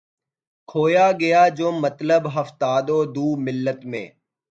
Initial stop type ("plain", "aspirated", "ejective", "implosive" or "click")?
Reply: aspirated